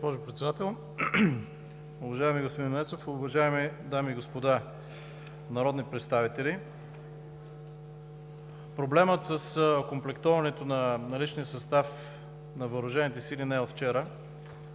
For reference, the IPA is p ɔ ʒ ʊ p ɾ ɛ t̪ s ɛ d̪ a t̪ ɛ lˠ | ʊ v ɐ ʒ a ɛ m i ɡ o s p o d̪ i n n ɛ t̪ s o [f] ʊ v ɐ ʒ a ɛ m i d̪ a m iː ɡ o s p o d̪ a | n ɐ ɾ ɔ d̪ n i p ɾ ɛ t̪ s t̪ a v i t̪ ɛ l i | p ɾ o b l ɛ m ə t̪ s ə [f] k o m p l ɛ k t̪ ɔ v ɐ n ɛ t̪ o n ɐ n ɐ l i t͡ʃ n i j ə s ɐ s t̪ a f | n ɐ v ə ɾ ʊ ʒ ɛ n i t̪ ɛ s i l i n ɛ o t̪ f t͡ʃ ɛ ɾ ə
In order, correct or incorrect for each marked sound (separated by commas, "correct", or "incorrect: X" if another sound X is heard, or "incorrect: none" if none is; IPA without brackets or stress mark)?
correct, incorrect: s